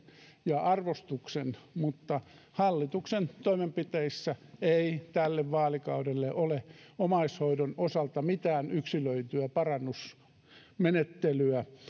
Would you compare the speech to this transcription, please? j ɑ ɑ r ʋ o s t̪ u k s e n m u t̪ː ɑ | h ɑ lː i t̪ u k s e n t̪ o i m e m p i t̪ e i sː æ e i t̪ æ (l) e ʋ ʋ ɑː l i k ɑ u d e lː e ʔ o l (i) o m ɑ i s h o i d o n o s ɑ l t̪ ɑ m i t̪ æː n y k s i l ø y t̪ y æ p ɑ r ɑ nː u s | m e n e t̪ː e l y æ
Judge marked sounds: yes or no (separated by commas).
no, no